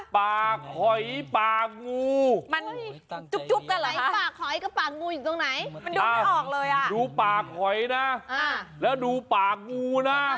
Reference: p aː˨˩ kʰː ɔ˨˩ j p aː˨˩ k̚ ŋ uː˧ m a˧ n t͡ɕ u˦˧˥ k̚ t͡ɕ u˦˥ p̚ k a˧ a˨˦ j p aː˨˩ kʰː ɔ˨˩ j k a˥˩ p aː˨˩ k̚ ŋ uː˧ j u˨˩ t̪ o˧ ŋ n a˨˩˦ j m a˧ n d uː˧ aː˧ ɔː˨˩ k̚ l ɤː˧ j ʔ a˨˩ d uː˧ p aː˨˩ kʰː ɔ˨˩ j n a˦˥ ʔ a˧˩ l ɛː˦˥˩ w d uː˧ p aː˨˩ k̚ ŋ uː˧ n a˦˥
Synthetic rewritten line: p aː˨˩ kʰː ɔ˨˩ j p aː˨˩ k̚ ŋ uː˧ m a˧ n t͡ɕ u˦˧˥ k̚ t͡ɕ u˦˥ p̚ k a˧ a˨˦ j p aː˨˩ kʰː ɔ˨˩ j k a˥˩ p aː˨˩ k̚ ŋ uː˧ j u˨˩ t̪ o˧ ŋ n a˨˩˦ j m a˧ n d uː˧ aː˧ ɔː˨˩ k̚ l ɤː˧ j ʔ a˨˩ d uː˧ p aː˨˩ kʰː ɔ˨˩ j n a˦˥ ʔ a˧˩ l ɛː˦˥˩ w d uː˧ p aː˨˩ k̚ ŋ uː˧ n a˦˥